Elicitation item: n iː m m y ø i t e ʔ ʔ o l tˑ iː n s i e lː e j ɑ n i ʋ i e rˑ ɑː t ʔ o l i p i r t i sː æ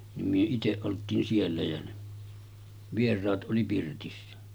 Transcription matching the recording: n i m m y ø i t e ʔ ʔ o l tˑ iː n s i e lː æ j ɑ n e ʋ i e rˑ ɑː t ʔ o l i p i r t i sː æ

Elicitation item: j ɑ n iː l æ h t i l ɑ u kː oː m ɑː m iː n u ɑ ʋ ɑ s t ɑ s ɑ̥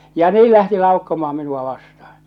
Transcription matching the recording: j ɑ n iː l æ h t i l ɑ u kː o m ɑː m i n u ɑ ʋ ɑ s t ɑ h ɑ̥

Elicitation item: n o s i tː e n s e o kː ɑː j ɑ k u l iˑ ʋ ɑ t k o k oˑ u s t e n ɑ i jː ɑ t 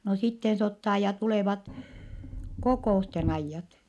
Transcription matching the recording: n o s i tː e n s e o tː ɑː j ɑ t u l eˑ ʋ ɑ t k o k oˑ u s t e n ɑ i jː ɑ t

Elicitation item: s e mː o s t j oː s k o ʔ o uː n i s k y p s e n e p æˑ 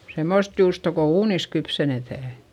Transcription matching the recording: s e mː o s t j uː s t o k o uː n i s k y p s e n e t æˑ

